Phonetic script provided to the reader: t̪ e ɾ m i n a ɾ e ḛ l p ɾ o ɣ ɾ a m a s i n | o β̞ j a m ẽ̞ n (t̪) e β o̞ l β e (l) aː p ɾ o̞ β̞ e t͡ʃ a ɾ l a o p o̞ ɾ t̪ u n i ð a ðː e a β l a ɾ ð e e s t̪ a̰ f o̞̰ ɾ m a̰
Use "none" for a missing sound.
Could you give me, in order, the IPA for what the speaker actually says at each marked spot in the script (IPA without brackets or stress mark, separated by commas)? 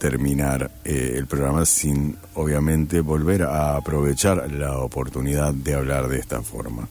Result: t̪, ɾ